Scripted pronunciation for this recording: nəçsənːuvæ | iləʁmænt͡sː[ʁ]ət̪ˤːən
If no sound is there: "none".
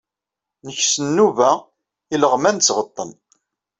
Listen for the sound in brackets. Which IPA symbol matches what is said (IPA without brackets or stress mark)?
ʁ